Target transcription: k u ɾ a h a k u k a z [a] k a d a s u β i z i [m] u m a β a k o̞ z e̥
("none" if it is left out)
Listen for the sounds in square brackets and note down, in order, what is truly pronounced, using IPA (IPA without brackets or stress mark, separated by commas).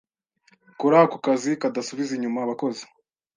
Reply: i, ɲ